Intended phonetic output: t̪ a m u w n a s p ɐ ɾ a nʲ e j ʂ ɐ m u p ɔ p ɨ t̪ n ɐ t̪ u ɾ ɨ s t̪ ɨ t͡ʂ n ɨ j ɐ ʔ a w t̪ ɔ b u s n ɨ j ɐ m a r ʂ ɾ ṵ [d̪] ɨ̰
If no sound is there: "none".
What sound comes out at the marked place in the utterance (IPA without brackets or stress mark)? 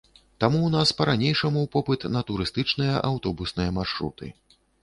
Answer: t̪